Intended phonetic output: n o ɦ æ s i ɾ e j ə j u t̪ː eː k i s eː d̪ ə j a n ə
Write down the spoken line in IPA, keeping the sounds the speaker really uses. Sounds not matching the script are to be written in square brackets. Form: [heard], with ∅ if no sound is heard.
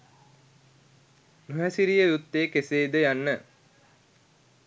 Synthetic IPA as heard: n [u] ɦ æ s i ɾ [i] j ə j u t̪ː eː k [e] s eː d̪ ə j a [nː] ə